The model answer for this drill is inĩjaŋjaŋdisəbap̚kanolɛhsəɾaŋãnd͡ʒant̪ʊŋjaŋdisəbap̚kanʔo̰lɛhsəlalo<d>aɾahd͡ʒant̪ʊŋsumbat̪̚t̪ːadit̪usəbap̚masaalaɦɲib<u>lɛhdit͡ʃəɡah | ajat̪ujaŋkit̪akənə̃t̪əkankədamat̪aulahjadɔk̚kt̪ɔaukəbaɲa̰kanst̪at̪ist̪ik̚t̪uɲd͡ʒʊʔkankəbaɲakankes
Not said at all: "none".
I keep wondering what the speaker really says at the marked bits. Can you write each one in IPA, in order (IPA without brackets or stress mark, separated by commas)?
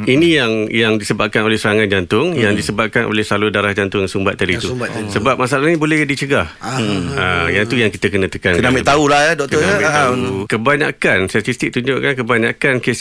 d, o